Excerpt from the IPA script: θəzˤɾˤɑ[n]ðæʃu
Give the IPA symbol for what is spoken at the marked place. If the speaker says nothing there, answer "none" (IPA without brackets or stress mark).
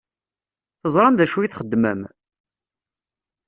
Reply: m